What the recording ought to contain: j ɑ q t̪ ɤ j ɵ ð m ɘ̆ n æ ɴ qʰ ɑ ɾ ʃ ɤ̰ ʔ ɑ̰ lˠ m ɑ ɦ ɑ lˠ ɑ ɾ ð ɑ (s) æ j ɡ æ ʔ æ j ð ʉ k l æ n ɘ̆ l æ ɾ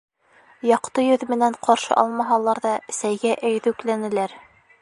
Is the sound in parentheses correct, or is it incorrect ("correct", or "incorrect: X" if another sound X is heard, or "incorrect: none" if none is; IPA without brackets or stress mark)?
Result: correct